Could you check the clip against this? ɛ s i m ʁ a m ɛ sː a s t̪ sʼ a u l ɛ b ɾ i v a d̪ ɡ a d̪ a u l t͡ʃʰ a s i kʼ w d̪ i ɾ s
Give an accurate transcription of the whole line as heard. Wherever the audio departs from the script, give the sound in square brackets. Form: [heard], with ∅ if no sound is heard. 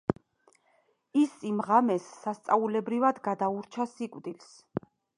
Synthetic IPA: [i] s i m ʁ a m ɛ sː a s t̪ sʼ a u l ɛ b ɾ i v a d̪ ɡ a d̪ a u [ɾ] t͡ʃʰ a s i kʼ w d̪ i [l] s